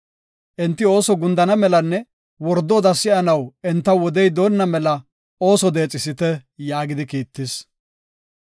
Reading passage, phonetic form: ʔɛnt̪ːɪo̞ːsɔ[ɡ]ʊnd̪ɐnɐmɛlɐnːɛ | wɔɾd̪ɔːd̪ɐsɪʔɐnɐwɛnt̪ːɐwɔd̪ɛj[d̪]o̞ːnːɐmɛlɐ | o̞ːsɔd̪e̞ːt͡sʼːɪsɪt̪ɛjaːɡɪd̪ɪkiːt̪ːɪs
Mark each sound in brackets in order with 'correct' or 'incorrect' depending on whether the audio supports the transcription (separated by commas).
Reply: correct, correct